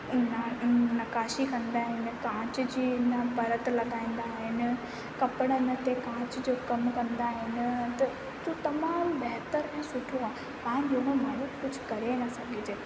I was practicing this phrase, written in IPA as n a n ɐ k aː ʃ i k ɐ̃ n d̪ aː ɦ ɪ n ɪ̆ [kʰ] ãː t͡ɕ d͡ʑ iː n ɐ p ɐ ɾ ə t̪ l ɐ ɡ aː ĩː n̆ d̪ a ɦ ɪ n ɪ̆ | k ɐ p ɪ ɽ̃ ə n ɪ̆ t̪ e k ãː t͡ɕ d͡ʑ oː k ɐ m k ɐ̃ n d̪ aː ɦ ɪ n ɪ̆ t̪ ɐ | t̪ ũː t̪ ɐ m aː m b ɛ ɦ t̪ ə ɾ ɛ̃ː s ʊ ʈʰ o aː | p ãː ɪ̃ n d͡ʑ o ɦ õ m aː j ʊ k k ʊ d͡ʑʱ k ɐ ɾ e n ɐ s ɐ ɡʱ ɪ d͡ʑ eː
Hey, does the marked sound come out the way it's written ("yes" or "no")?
no